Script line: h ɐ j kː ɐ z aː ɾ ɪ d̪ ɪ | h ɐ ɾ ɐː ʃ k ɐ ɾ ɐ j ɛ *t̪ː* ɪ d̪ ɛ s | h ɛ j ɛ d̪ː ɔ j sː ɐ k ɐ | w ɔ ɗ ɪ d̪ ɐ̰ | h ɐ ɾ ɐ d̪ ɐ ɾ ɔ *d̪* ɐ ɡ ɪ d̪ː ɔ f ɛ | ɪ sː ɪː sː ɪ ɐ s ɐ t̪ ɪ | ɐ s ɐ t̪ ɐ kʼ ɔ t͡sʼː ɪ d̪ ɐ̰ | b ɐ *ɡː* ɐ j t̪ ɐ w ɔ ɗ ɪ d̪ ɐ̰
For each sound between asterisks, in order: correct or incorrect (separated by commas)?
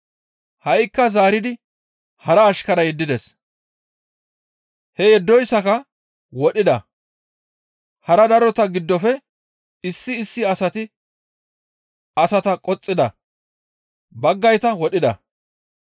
incorrect, incorrect, correct